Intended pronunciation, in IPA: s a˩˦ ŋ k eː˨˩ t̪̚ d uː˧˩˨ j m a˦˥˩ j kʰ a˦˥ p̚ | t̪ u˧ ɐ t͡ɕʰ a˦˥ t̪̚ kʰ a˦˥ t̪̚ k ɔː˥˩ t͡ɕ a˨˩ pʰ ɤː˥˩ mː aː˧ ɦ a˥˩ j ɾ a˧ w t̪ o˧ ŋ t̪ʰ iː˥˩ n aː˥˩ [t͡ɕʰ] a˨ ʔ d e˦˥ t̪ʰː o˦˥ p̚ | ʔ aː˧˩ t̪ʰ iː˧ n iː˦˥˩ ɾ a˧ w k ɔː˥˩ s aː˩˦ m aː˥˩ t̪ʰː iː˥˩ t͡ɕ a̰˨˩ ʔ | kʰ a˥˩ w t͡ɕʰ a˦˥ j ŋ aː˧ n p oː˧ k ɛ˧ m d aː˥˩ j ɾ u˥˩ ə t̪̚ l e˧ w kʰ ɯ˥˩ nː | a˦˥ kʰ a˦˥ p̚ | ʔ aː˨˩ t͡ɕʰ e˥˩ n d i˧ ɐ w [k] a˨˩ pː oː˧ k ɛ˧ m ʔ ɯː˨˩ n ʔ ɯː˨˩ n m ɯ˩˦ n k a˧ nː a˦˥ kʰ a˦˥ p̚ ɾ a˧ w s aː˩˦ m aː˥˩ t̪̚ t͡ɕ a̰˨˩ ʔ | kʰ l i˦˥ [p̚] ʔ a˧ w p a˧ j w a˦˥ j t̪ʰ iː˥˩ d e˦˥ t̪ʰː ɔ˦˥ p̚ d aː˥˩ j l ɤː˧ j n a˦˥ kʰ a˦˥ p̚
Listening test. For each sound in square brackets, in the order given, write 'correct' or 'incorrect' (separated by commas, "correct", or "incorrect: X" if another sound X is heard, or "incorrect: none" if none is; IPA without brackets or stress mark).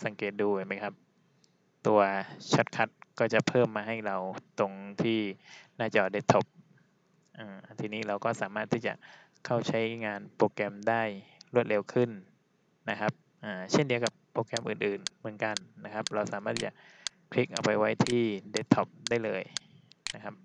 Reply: incorrect: t͡ɕ, correct, incorrect: k̚